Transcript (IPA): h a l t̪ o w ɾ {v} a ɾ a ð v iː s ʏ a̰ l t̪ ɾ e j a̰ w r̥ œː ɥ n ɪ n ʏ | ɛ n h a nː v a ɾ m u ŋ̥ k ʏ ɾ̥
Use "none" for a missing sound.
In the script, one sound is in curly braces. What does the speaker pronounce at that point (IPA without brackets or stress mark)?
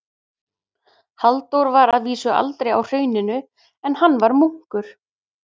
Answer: v